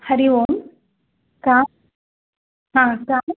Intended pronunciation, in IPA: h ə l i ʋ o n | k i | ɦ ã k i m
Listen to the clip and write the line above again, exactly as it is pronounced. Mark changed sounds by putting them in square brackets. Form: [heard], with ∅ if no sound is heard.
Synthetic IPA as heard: h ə [ɾ] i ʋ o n | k [a] | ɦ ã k [a] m